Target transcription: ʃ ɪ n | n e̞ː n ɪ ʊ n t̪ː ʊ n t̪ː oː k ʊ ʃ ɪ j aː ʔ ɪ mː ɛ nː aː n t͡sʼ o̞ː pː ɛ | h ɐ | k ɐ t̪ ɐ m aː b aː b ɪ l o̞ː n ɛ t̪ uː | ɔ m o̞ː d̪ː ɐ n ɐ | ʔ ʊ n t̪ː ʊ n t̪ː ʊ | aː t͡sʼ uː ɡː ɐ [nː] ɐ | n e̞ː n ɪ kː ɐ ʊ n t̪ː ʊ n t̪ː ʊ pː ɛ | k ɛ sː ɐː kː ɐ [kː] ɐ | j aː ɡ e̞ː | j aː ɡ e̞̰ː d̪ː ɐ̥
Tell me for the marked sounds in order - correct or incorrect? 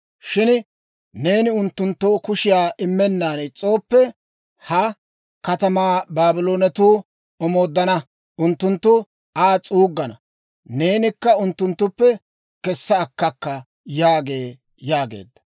incorrect, correct

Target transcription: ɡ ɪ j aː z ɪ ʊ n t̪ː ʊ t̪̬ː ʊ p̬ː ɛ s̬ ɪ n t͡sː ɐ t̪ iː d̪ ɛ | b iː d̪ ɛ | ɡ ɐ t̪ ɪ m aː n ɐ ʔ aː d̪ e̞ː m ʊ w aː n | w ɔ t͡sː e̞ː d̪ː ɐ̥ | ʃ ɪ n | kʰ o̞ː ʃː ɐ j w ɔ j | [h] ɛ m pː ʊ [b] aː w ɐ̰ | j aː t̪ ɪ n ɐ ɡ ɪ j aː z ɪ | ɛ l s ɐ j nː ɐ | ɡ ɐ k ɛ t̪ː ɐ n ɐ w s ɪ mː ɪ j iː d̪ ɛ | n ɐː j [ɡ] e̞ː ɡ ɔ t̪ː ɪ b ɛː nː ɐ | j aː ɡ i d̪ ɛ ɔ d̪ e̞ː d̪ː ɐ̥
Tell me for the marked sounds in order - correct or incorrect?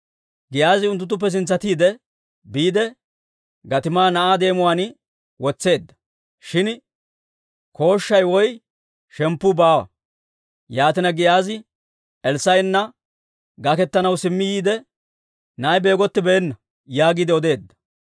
incorrect, correct, incorrect

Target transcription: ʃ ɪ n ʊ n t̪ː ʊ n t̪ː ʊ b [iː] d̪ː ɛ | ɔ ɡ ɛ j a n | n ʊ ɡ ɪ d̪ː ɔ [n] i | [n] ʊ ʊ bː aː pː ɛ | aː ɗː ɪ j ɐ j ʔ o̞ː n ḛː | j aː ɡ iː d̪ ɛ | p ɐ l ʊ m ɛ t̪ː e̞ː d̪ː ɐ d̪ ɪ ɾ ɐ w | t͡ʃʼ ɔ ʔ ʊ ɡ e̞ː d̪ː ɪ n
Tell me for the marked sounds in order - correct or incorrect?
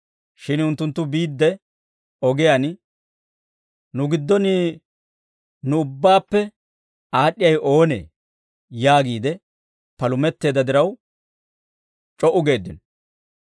correct, correct, correct

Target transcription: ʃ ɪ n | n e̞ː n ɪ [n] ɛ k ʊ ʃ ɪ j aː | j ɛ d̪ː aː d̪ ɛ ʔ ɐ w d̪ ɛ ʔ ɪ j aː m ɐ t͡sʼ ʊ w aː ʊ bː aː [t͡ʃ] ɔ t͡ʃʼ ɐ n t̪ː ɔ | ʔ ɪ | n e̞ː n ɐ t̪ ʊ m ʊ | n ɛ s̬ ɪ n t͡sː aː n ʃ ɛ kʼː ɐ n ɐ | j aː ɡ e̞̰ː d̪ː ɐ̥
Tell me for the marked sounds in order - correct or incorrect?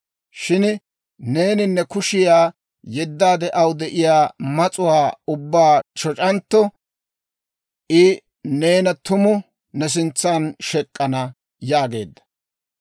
incorrect, correct

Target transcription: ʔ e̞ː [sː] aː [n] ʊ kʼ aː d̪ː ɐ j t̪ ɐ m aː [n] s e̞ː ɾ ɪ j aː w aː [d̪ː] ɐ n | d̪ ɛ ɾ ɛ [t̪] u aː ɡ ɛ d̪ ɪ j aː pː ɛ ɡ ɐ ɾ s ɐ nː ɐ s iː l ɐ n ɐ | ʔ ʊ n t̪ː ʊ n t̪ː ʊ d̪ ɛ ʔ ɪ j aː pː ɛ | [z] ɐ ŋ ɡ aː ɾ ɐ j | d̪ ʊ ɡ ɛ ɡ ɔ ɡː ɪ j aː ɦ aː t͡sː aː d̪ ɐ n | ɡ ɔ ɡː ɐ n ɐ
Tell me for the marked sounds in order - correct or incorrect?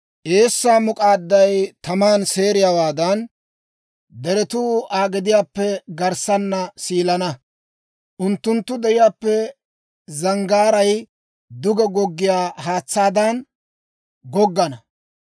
correct, incorrect, correct, incorrect, correct, correct

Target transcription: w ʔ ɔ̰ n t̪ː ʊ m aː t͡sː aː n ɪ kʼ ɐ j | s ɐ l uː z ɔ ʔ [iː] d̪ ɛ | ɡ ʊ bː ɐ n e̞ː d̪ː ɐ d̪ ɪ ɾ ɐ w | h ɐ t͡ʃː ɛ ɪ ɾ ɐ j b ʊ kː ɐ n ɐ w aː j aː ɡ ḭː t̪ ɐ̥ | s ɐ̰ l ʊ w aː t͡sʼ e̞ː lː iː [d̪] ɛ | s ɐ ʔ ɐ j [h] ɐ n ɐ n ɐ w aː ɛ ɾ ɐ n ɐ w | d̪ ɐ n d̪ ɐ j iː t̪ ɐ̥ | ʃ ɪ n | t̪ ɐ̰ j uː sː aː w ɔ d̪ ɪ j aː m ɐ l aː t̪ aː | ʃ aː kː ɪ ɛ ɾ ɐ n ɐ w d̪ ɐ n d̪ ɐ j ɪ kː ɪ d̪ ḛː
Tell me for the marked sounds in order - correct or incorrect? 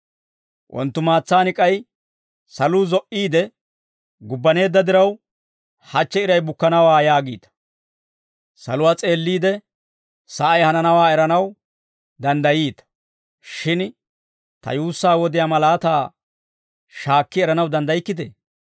correct, correct, correct

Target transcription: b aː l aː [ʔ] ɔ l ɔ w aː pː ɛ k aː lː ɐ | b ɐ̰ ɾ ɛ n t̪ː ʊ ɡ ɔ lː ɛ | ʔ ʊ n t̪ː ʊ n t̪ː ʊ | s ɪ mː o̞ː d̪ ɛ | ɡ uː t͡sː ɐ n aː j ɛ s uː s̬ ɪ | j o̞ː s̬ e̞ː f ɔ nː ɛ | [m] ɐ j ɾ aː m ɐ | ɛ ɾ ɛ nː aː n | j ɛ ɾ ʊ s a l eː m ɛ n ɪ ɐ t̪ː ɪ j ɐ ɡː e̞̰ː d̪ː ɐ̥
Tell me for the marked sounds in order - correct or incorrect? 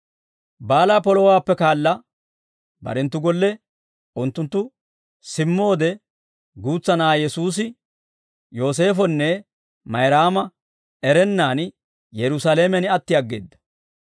incorrect, correct

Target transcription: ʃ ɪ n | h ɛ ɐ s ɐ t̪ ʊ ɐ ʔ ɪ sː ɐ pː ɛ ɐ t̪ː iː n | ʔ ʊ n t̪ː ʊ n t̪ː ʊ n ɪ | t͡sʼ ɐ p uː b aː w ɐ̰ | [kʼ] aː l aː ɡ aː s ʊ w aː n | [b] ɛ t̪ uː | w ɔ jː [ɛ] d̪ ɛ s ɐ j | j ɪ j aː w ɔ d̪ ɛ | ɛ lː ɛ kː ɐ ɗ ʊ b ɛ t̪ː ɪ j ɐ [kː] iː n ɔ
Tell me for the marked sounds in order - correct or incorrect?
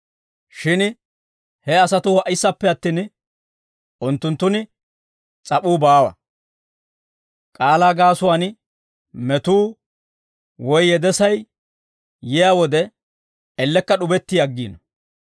correct, incorrect, correct, incorrect

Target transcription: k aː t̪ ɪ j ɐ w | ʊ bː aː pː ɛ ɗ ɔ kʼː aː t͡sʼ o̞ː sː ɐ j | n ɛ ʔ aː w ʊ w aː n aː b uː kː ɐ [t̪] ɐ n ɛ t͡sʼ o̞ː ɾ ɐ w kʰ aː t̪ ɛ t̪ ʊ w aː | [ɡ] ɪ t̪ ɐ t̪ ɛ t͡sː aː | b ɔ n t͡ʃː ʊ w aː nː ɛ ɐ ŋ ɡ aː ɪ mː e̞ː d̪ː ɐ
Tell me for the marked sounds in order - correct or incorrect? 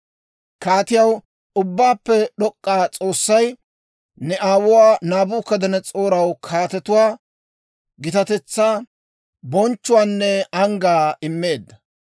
incorrect, correct

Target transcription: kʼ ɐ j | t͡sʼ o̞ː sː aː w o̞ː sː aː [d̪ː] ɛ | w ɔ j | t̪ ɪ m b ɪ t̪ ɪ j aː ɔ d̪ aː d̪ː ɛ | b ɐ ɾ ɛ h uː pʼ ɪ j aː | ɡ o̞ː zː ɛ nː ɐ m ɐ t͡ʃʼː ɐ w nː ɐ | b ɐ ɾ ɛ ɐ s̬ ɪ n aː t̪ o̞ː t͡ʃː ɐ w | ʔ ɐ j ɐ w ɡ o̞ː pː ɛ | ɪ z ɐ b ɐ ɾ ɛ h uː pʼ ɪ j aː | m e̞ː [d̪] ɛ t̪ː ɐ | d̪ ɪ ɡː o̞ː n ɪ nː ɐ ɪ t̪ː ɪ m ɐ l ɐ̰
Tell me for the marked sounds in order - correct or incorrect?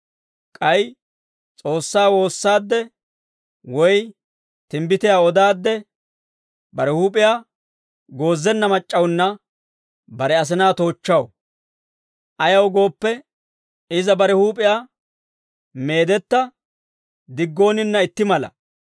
correct, correct

